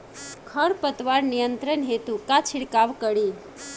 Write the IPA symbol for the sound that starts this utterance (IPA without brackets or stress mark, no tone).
kʰ